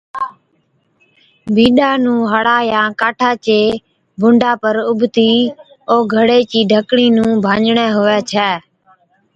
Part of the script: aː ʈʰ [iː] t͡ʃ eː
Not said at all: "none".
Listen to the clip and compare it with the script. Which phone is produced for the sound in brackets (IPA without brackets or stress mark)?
aː